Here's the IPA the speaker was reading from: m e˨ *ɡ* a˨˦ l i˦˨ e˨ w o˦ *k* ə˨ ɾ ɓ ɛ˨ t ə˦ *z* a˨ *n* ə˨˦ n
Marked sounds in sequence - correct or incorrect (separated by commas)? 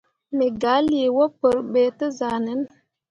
correct, incorrect, correct, correct